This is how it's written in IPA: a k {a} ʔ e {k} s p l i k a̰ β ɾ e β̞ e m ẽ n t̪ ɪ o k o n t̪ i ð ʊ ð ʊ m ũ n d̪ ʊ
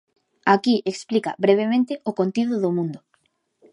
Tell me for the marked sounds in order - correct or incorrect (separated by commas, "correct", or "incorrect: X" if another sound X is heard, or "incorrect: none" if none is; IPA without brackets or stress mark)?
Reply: incorrect: i, correct